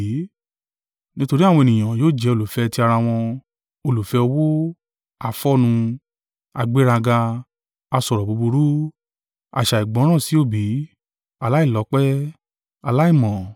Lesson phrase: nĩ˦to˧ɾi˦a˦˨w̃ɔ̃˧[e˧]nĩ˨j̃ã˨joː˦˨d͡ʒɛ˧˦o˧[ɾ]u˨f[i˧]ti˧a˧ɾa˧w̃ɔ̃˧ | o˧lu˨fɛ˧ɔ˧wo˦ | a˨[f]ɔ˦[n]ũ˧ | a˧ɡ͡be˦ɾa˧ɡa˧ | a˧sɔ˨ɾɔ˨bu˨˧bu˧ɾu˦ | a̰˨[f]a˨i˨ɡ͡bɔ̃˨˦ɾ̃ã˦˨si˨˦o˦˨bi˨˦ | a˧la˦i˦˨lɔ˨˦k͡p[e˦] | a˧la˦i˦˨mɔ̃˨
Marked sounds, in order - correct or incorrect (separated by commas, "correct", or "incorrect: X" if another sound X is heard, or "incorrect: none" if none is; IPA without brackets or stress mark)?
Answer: correct, incorrect: l, incorrect: ɛ˧, correct, correct, incorrect: ʃ, incorrect: ɛ˦